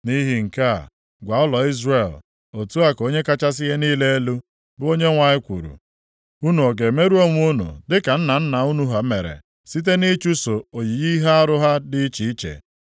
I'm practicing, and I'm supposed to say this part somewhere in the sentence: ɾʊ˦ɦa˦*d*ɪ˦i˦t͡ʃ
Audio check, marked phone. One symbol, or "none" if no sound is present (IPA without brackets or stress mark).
d